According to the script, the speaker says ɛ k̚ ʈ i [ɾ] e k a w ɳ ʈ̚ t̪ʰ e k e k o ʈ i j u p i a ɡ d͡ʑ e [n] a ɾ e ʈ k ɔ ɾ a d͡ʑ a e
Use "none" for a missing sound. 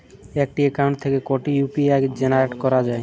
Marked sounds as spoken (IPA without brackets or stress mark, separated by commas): none, n